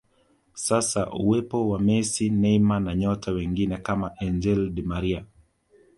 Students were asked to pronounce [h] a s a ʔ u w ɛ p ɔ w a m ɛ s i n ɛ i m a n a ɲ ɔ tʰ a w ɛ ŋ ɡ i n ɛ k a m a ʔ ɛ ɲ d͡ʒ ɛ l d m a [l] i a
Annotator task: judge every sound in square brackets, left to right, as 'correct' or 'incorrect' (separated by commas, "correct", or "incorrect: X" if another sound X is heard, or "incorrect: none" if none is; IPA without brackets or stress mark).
incorrect: s, incorrect: ɾ